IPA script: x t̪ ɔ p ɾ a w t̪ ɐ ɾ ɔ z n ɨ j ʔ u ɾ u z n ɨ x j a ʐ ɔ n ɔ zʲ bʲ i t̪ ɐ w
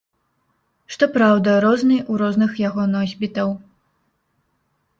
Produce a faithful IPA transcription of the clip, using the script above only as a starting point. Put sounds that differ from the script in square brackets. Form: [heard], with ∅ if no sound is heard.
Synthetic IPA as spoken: [ʂ] t̪ ɔ p ɾ a w [d̪] ɐ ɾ ɔ z n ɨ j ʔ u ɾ [ɔ] z n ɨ x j a [ɣ] ɔ n ɔ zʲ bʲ i t̪ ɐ w